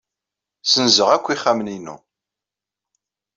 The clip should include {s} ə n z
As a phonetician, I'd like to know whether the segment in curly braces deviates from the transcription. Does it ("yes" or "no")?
no